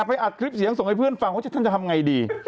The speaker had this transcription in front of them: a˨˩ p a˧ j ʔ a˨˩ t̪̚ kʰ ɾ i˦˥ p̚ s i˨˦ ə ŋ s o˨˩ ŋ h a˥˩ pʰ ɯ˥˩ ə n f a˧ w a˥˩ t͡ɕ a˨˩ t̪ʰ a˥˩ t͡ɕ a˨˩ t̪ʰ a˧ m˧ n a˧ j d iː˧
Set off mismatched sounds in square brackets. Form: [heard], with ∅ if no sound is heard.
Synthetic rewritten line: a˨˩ p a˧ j ʔ a˨˩ t̪̚ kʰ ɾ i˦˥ p̚ s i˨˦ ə ŋ s o˨˩ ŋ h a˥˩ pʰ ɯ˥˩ ə n f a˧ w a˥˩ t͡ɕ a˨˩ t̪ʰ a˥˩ t͡ɕ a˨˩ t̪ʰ a˧ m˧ [ŋ] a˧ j d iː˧